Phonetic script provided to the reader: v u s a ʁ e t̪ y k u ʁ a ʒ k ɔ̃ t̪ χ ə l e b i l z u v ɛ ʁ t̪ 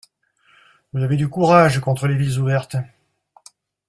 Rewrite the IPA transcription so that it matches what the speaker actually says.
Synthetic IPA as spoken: v u z a v e d̪ y k u ʁ a ʒ k ɔ̃ t̪ χ ə l e v i l z u v ɛ ʁ t̪